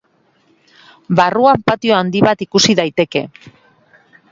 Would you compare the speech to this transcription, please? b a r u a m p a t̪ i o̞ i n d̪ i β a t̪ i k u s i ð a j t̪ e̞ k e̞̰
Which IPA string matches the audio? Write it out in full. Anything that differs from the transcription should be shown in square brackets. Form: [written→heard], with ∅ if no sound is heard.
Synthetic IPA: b a r u a m p a t̪ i o̞ [i→a] n d̪ i β a t̪ i k u s i ð a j t̪ e̞ k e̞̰